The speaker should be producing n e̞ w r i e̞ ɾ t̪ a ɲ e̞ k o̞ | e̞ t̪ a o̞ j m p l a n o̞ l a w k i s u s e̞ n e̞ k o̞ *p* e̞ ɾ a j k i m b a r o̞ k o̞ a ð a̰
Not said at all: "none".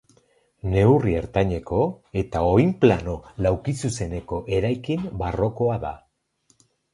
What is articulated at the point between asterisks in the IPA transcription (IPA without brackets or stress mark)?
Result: ʔ